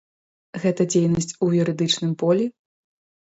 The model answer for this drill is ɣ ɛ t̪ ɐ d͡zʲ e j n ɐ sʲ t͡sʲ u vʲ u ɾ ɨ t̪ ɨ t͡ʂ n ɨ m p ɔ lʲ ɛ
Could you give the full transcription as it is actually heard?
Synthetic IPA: ɣ ɛ t̪ ɐ d͡zʲ e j n ɐ sʲ t͡sʲ u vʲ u ɾ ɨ d̪ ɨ t͡ʂ n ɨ m p ɔ lʲ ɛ